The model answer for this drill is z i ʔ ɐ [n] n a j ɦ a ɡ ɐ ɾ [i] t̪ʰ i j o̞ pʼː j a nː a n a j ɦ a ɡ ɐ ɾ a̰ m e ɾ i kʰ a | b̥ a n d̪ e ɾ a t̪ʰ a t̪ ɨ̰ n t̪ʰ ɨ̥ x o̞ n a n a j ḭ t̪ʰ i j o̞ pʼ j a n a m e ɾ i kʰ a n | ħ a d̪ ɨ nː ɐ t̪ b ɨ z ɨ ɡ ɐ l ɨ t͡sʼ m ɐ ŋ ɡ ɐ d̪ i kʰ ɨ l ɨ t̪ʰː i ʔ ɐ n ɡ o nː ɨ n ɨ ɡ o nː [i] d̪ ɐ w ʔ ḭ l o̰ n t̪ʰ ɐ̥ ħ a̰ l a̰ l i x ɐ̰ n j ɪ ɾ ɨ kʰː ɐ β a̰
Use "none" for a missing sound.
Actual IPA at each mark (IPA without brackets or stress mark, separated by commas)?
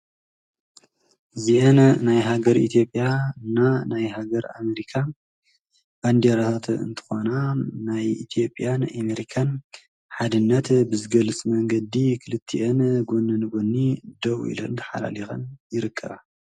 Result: n, i, i